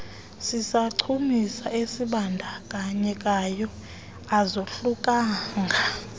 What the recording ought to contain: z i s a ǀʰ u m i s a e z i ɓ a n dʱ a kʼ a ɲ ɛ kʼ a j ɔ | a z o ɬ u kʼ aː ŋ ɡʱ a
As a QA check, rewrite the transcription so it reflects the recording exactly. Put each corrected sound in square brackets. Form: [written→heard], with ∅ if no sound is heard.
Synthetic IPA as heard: [z→s] i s a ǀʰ u m i s a e [z→s] i ɓ a n dʱ a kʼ a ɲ ɛ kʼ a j ɔ | a z o ɬ u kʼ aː ŋ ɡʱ a